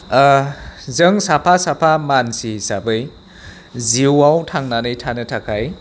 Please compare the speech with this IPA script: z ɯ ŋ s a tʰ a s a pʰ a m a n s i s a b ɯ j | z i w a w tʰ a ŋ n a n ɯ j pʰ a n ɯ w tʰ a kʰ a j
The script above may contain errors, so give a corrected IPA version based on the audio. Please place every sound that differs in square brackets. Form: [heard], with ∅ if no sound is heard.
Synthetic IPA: z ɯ ŋ s a [pʰ] a s a pʰ a m a n s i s a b ɯ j | z i w a w tʰ a ŋ n a n ɯ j [tʰ] a n ɯ [∅] tʰ a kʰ a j